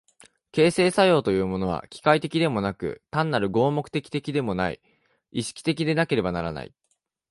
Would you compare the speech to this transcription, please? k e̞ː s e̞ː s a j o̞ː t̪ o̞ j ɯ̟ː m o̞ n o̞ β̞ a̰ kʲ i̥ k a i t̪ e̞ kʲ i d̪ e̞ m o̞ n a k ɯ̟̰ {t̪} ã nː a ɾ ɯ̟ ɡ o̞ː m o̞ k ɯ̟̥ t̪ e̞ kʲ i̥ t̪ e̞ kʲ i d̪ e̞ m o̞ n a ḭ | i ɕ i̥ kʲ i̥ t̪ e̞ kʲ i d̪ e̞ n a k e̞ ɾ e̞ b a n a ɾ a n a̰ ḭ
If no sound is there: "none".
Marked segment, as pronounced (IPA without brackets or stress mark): t̪